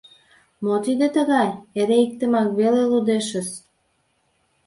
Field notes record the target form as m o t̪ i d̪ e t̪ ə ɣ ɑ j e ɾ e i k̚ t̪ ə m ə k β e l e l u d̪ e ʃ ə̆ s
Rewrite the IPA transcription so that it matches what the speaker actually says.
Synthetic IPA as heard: m o t̪ i d̪ e t̪ ə ɣ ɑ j e ɾ e i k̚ t̪ ə m ɑ k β e l e l u d̪ e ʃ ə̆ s